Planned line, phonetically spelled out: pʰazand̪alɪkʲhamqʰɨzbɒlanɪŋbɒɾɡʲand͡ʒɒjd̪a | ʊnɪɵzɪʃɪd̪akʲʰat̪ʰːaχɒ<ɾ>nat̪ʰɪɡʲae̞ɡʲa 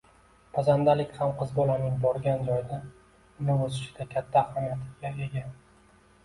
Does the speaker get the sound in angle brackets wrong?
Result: yes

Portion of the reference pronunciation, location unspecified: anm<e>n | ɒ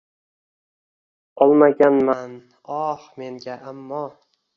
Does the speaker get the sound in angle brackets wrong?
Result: yes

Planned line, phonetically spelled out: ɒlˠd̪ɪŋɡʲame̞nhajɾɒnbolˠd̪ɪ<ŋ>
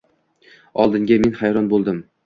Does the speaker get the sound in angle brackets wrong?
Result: yes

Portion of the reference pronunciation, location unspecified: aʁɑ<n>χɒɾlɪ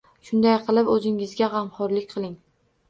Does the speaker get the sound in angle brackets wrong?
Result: yes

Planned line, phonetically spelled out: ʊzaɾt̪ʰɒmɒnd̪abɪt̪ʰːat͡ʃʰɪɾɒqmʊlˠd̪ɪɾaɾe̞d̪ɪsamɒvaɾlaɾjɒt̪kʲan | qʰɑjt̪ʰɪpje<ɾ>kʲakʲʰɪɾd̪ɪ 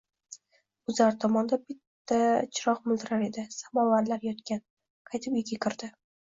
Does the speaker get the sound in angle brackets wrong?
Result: yes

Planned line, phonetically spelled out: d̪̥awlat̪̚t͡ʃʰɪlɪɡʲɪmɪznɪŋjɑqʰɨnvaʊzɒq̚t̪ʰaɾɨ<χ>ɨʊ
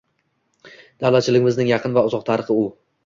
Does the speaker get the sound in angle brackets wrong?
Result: no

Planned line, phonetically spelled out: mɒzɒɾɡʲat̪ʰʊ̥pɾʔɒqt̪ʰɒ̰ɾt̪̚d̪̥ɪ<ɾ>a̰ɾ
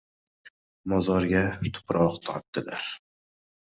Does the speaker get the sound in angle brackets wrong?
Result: yes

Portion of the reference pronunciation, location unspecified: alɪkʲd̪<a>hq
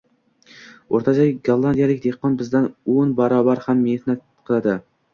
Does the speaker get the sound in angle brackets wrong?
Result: yes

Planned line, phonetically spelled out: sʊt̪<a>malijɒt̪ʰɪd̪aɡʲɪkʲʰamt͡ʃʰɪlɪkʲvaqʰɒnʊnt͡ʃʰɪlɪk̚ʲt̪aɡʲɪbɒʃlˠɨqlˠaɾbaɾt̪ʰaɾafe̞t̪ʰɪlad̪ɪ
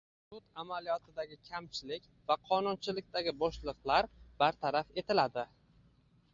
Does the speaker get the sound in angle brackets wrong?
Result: no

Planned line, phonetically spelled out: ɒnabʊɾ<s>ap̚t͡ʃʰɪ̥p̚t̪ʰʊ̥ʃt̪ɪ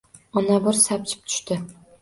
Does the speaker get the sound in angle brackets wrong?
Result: no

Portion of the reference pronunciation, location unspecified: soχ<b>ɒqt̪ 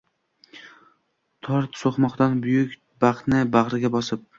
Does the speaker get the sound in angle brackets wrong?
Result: yes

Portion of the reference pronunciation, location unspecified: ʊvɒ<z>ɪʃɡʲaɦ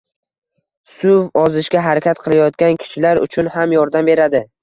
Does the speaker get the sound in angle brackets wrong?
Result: no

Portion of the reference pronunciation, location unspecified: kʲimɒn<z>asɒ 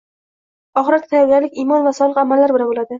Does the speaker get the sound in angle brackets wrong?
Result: yes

